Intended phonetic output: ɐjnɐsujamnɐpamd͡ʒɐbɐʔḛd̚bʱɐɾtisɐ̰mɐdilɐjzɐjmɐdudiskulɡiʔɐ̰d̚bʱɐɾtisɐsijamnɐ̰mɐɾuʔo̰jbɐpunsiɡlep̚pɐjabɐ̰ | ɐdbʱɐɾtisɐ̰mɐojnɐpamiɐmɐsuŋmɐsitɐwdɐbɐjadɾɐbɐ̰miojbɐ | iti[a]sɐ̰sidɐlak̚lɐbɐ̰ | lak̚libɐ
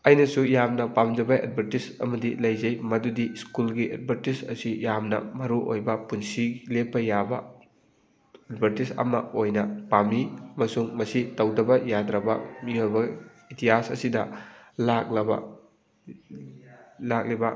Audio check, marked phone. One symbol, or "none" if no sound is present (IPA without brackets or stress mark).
a